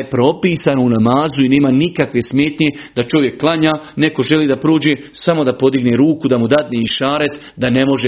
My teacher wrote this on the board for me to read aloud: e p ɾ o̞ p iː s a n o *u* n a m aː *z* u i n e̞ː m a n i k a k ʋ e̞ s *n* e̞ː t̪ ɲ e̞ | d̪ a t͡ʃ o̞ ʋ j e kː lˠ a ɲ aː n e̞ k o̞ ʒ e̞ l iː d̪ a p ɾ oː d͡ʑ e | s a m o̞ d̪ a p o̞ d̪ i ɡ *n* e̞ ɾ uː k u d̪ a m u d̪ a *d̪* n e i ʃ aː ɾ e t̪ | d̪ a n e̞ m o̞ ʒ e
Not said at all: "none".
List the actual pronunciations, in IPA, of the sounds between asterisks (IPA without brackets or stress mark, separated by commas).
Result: u, z, m, n, d̪